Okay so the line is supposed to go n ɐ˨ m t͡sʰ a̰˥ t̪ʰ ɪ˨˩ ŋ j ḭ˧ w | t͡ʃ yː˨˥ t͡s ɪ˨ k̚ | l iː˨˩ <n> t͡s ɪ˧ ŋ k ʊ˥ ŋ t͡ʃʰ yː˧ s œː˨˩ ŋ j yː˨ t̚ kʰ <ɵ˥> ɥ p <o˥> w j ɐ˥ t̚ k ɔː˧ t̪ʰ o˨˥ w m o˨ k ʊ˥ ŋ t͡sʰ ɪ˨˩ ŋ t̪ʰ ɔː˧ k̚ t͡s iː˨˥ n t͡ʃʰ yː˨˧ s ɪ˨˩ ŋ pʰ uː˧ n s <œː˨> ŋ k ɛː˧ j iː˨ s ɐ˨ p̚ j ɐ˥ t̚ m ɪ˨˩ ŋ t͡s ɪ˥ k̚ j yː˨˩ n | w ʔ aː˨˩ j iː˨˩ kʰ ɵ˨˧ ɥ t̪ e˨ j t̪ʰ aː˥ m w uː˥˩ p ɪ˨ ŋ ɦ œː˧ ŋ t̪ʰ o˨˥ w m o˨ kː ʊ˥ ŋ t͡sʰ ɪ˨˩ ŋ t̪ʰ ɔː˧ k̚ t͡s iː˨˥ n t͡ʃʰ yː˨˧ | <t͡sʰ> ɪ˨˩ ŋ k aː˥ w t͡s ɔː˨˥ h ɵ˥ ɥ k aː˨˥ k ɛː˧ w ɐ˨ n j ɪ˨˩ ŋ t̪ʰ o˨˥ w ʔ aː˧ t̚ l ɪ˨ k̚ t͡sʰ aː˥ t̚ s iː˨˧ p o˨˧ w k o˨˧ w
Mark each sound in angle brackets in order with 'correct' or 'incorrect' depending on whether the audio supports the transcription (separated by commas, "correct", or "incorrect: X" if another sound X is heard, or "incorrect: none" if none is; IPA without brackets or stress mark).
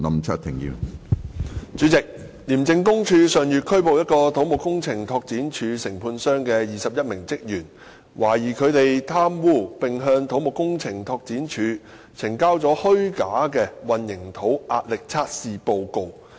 incorrect: m, correct, incorrect: o˨, incorrect: œː˥, correct